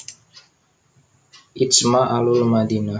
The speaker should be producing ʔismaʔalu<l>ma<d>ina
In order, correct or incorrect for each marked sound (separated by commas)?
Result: correct, correct